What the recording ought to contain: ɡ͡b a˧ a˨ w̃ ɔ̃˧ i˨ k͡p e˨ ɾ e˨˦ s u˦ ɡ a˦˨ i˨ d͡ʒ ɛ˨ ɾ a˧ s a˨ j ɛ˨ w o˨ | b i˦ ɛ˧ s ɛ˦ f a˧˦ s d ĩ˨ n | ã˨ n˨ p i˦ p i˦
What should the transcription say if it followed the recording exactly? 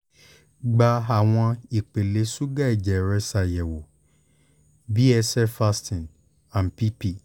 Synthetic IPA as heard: ɡ͡b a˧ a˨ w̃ ɔ̃˧ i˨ k͡p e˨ l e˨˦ s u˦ ɡ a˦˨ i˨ d͡ʒ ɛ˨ ɾ ɛ˧ s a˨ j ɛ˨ w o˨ | b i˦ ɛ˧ s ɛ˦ f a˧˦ s t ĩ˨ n | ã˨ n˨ p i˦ p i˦